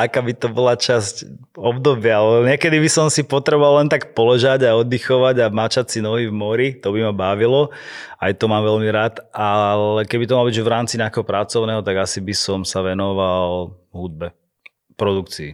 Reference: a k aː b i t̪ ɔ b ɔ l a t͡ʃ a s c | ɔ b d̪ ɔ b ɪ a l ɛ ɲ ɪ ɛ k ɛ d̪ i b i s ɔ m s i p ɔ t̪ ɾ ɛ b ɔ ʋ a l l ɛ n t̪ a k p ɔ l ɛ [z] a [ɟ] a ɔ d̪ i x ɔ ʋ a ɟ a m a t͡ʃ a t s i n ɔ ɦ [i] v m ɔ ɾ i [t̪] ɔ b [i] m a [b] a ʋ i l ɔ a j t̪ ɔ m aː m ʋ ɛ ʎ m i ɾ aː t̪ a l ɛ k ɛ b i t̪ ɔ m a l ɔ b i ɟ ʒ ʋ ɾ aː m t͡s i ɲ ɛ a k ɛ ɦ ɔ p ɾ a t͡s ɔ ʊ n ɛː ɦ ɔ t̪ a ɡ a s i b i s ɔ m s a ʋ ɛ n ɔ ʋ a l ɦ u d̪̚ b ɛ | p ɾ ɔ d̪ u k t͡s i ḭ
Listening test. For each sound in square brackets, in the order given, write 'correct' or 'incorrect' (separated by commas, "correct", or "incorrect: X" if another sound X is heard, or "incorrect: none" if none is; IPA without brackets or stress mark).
incorrect: ʒ, correct, correct, correct, correct, correct